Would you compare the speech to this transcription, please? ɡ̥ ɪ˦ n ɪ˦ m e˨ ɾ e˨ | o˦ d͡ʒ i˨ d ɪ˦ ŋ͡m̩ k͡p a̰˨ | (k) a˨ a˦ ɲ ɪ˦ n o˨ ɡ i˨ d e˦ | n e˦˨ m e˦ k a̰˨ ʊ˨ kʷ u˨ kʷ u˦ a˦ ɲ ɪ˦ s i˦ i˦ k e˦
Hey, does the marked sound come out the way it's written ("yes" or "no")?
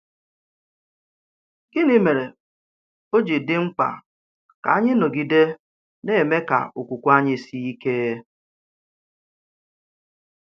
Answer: yes